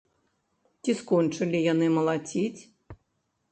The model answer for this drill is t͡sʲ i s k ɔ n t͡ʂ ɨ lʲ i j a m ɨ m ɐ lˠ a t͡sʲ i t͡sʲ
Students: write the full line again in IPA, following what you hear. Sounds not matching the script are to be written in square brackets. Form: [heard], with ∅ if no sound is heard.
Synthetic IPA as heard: t͡sʲ i s k ɔ n t͡ʂ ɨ lʲ i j a [n] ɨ m ɐ lˠ a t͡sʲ i t͡sʲ